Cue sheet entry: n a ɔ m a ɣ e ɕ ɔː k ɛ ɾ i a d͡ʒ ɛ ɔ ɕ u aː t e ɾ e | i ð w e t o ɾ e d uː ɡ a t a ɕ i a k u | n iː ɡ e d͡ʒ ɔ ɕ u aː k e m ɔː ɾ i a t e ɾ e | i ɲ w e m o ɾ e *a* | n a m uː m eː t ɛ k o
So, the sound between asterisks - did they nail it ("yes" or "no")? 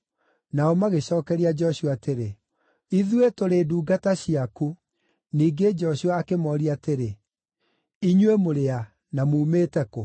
yes